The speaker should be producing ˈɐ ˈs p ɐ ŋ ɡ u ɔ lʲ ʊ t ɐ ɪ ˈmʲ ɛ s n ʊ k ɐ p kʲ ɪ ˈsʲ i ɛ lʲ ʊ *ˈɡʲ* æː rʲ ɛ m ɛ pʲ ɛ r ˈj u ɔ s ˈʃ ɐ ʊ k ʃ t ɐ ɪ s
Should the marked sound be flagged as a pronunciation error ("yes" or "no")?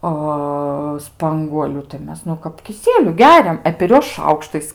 no